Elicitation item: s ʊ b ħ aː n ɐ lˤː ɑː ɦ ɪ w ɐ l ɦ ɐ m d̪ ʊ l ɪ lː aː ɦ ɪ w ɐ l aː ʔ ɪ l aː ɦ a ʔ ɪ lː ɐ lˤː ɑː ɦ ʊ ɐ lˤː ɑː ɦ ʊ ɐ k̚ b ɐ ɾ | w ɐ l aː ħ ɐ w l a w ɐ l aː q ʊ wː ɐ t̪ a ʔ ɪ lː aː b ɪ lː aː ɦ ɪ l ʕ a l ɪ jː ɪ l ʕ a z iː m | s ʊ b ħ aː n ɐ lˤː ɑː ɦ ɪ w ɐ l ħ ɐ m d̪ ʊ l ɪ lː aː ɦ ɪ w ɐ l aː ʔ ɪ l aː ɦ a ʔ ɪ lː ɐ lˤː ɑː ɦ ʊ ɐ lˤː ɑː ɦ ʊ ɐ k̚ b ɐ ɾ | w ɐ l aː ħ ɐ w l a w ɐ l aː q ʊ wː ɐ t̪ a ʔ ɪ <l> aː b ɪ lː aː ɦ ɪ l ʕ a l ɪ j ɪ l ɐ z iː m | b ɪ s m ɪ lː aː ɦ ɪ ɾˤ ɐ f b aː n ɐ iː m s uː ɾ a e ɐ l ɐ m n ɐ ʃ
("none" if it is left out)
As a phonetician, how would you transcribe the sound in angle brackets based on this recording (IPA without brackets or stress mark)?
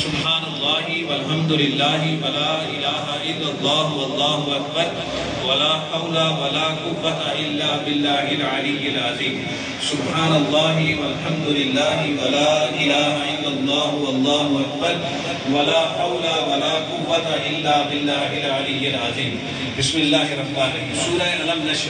lː